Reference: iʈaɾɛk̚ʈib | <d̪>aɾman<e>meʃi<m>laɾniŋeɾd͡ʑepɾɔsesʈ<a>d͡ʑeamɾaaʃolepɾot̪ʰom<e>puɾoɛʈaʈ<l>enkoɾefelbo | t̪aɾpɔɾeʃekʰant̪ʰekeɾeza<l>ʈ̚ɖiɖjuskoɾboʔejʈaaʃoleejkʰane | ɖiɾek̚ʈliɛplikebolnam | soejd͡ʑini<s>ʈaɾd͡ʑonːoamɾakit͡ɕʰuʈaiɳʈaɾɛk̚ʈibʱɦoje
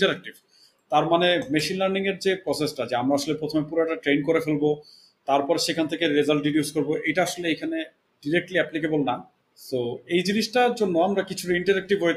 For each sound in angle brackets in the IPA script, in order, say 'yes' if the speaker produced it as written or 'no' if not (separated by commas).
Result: no, yes, no, yes, yes, no, yes, no